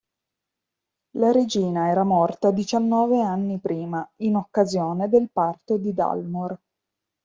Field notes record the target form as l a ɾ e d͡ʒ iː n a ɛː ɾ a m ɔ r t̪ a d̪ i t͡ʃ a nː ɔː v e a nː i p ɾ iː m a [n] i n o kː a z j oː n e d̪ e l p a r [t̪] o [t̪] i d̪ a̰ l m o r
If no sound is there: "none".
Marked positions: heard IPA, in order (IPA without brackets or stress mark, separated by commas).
none, t̪, d̪